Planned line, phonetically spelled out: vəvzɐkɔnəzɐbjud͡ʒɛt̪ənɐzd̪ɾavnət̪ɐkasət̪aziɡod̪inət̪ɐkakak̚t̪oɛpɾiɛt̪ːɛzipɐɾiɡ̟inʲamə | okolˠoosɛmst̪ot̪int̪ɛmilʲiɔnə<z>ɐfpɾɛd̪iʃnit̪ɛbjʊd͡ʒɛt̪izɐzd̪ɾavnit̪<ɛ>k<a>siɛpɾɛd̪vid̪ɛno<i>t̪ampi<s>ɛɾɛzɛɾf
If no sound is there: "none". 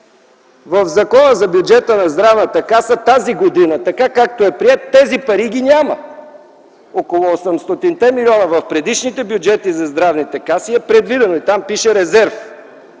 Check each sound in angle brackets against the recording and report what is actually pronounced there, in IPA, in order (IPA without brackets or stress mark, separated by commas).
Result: v, ɛ, a, i, ʃ